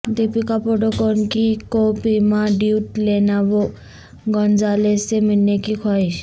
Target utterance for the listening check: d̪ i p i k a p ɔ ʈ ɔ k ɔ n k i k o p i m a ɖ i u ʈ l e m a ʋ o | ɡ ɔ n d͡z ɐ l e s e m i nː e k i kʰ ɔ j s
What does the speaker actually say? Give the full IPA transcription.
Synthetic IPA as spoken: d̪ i p i k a p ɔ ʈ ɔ k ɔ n k i k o p i m a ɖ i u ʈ l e n a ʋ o | ɡ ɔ n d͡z a l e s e m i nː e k i kʰ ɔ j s